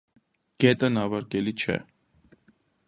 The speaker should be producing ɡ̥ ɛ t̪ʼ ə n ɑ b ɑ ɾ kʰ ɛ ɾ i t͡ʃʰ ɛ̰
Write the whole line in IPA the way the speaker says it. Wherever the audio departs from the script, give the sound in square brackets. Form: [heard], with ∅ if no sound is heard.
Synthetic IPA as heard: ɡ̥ ɛ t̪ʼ ə n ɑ [v] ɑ ɾ [k] ɛ [l] i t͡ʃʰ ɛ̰